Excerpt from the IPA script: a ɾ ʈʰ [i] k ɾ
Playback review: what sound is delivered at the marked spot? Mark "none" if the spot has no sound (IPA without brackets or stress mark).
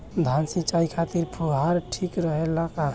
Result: i